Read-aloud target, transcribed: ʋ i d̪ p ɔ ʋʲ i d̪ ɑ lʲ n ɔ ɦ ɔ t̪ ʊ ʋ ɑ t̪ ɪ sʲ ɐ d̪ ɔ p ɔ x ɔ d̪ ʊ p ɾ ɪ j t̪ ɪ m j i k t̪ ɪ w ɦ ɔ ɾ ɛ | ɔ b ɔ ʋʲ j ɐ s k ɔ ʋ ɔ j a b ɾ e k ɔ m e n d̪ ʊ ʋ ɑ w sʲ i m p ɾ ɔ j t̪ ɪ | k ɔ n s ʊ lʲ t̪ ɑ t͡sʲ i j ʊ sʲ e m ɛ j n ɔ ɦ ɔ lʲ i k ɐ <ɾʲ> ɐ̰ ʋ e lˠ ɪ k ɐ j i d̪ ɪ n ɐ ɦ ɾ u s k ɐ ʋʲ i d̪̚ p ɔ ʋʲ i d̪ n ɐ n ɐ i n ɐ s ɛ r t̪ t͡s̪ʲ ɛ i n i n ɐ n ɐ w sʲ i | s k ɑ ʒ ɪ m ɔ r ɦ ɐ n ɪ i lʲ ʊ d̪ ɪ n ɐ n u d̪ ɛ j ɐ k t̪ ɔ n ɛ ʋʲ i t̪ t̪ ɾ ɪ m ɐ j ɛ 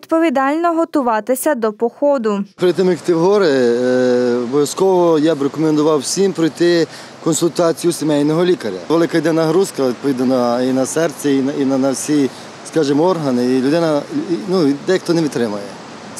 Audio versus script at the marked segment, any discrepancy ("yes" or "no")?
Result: no